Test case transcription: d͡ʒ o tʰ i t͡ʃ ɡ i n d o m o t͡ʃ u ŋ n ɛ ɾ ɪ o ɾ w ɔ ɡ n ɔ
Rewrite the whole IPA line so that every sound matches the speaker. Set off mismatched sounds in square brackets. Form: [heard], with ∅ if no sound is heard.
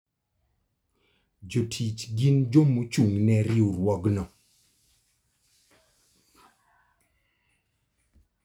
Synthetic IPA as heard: d͡ʒ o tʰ i t͡ʃ ɡ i n [d͡ʒ] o m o t͡ʃ u ŋ n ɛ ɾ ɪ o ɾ w ɔ ɡ n ɔ